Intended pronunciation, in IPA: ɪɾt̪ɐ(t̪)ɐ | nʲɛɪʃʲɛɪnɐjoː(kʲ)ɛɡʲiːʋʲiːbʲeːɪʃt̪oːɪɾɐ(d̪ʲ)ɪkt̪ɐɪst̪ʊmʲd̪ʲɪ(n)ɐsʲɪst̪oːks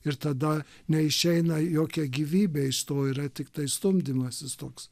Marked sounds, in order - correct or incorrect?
incorrect, correct, incorrect, incorrect

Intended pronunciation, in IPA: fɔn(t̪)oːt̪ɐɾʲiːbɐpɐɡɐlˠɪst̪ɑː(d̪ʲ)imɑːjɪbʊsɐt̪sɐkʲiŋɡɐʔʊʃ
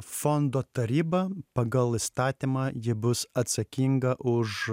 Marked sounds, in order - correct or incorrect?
incorrect, incorrect

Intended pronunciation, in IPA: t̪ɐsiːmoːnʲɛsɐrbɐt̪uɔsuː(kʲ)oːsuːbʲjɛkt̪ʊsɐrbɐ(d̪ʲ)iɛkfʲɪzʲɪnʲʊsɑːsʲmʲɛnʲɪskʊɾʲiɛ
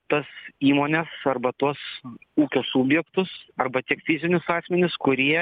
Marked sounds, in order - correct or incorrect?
correct, incorrect

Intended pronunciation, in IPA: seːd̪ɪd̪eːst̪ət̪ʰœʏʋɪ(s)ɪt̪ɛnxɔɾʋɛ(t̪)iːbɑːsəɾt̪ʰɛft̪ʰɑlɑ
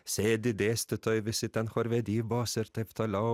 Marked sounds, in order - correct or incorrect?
correct, incorrect

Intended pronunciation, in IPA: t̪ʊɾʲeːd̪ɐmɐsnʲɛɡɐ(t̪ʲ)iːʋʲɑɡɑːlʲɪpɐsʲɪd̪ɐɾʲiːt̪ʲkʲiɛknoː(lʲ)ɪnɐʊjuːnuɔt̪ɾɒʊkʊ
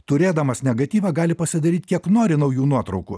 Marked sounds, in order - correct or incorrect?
correct, incorrect

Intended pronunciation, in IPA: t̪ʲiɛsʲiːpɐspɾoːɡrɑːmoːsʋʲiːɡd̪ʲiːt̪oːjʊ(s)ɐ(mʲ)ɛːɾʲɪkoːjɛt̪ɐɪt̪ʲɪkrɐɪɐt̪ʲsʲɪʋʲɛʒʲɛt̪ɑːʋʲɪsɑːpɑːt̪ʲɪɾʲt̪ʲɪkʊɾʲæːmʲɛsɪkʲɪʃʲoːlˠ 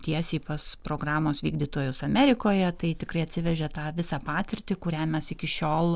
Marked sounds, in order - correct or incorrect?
correct, correct

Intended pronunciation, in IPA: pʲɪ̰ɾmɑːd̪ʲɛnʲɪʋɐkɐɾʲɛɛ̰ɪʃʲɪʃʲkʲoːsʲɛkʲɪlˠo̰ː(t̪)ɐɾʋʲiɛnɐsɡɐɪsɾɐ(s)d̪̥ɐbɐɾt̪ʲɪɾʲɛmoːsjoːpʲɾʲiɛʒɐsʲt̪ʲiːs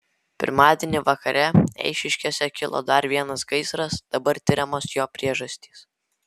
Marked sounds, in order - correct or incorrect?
incorrect, correct

